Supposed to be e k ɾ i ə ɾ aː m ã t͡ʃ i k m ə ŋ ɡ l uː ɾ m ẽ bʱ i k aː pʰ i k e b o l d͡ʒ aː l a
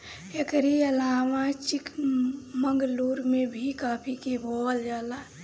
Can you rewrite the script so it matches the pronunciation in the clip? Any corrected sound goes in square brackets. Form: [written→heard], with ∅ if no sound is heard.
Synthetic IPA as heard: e k ɾ i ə [ɾ→l] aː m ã t͡ʃ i k m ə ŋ ɡ l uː ɾ m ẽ bʱ i k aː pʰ i k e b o l d͡ʒ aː l a